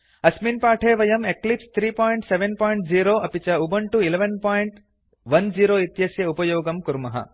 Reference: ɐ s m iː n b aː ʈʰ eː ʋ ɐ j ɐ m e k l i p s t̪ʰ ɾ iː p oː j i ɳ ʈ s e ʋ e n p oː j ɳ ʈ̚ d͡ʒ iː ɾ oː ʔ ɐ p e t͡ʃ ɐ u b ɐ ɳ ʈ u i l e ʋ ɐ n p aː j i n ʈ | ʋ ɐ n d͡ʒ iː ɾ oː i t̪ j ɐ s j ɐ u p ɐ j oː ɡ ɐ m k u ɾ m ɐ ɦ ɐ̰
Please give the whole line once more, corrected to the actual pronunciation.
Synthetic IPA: ɐ s m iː n p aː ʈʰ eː ʋ ɐ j ɐ m e k l i p s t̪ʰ ɾ iː p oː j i ɳ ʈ s e ʋ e n p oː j ɳ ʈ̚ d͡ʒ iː ɾ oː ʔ ɐ p i t͡ʃ ɐ u b ɐ ɳ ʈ u i l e ʋ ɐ n p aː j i ɳ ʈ | ʋ ɐ n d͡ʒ iː ɾ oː i t̪ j ɐ s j ɐ u p ɐ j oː ɡ ɐ m k u ɾ m ɐ ɦ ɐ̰

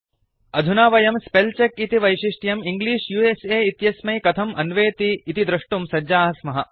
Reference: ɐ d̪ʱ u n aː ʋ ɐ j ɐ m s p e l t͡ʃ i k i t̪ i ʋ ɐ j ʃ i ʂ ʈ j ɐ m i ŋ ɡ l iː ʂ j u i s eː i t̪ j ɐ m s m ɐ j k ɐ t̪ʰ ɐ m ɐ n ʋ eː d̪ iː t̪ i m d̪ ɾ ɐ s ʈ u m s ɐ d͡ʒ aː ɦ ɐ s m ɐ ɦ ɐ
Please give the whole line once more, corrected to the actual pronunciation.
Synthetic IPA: ɐ d̪ʱ u n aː ʋ ɐ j ɐ m s p e l t͡ʃ e k i t̪ i ʋ ɐ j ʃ i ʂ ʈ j ɐ m i ŋ ɡ l iː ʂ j u e s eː i t̪ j ɐ s m ɐ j k ɐ t̪ʰ ɐ m ɐ n ʋ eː t̪ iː t̪ i d̪ ɾ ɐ ʂ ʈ u m s ɐ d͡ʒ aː ɦ ɐ s m ɐ ɦ ɐ

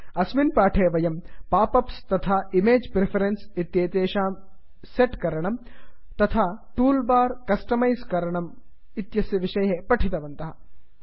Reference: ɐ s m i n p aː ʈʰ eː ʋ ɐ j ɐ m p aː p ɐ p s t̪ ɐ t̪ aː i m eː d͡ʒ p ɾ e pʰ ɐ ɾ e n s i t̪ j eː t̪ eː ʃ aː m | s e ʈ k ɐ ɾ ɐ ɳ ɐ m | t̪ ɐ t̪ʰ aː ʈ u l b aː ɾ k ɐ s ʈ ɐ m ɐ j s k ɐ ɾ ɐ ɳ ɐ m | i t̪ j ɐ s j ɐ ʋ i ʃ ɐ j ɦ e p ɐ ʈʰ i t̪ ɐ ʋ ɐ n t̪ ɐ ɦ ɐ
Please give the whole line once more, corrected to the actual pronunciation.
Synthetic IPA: ɐ s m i n p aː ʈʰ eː ʋ ɐ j ɐ m p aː p ɐ p s t̪ ɐ t̪ʰ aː i m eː d͡ʒ p ɾ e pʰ ɐ ɾ e n s i t̪ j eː t̪ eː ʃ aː m | s e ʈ k ɐ ɾ ɐ ɳ ɐ m | t̪ ɐ t̪ʰ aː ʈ uː l b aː ɾ k ɐ s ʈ ɐ m ɐ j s k ɐ ɾ ɐ ɳ ɐ m | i t̪ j ɐ s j ɐ ʋ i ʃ ɐ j ɦ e p ɐ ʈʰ i t̪ ɐ ʋ ɐ n t̪ ɐ ɦ ɐ

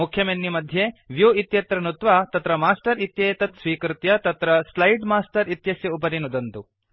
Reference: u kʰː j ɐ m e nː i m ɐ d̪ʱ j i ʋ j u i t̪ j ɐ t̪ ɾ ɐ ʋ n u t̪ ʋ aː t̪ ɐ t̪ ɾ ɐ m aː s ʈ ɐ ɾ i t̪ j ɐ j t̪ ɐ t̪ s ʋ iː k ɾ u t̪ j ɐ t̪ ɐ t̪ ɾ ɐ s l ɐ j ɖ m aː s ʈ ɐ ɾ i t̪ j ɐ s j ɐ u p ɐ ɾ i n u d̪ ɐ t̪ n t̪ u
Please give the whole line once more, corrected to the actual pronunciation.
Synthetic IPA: u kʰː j ɐ m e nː i m ɐ d̪ʱ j e ʋ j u i t̪ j ɐ t̪ ɾ ɐ n u t̪ ʋ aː t̪ ɐ t̪ ɾ ɐ m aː s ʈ ɐ ɾ i t̪ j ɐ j t̪ ɐ t̪ s ʋ iː k ɾ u t̪ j ɐ t̪ ɐ t̪ ɾ ɐ s l ɐ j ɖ m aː s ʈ ɐ ɾ i t̪ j ɐ s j ɐ u p ɐ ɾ i n u d̪ ɐ n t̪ u

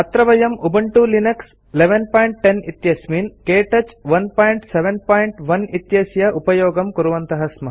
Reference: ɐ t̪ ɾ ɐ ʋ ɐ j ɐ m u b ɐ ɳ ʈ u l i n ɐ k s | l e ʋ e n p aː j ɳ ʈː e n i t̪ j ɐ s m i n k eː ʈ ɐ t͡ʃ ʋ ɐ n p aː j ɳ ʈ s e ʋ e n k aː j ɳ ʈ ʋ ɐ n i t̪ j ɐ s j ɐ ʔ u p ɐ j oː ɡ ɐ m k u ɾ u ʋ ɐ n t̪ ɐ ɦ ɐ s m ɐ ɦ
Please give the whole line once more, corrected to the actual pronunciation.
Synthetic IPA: ɐ t̪ ɾ ɐ ʋ ɐ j ɐ m u b ɐ ɳ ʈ u l i n ɐ k s | l e ʋ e n p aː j ɳ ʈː e n i t̪ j ɐ s m i n k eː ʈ ɐ t͡ʃ ʋ ɐ n p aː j ɳ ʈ s e ʋ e n p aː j ɳ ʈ ʋ ɐ n i t̪ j ɐ s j ɐ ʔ u p ɐ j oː ɡ ɐ m k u ɾ u ʋ ɐ n t̪ ɐ ɦ ɐ s m ɐ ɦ

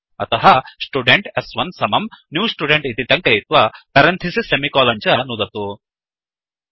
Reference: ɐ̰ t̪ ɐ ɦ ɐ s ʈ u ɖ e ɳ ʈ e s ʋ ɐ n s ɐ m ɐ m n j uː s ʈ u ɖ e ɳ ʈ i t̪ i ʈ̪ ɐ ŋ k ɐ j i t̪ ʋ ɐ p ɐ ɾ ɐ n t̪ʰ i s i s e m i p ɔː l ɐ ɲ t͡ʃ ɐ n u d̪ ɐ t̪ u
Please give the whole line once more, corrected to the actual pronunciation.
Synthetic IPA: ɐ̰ t̪ ɐ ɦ ɐ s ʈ u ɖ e ɳ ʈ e s ʋ ɐ n s ɐ m ɐ m n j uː s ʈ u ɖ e ɳ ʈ i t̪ i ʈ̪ ɐ ŋ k ɐ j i t̪ ʋ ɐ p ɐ ɾ ɐ n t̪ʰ i s i s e m i k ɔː l ɐ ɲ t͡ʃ ɐ n u d̪ ɐ t̪ u

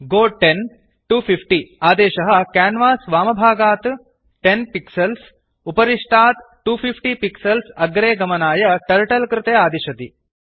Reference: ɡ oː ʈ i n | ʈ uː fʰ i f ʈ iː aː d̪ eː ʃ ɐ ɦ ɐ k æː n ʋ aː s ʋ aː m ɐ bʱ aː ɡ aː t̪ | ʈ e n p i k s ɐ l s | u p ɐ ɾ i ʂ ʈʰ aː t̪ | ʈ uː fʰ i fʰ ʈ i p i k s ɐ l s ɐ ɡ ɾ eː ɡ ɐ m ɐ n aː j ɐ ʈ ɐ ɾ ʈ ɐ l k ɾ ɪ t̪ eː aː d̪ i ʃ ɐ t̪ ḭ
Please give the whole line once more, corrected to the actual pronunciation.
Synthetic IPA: ɡ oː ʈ e n | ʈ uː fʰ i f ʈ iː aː d̪ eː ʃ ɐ ɦ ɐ k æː n ʋ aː s ʋ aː m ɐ bʱ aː ɡ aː t̪ | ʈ e n p i k s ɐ l s | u p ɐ ɾ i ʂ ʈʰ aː t̪ | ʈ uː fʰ i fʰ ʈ i p i k s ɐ l s ɐ ɡ ɾ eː ɡ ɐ m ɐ n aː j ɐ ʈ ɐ ɾ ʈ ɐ l k ɾ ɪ t̪ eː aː d̪ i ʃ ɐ t̪ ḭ

